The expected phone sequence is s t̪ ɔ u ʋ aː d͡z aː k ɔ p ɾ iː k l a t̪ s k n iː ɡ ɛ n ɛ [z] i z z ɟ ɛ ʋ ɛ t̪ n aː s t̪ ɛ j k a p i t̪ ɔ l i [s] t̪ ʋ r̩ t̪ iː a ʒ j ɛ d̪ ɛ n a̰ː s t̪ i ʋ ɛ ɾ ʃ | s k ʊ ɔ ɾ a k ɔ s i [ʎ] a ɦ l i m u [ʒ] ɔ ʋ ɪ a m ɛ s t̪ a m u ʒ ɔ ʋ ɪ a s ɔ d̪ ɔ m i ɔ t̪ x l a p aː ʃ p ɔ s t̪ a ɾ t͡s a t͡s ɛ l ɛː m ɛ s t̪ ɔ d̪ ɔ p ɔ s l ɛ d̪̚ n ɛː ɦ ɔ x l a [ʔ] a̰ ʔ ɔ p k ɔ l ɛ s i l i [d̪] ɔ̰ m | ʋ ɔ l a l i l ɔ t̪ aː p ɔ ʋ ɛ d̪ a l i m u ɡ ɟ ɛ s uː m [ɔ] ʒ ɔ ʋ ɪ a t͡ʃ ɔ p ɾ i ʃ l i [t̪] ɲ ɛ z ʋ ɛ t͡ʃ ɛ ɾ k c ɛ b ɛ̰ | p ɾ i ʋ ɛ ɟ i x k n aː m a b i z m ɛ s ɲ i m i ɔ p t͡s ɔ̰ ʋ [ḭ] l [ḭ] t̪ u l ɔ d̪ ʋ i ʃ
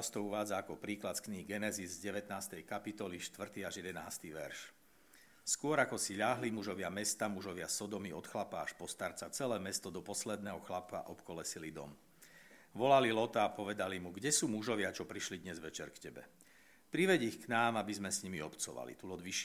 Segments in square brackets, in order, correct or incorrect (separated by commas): correct, incorrect, correct, correct, incorrect, correct, incorrect, incorrect, incorrect, correct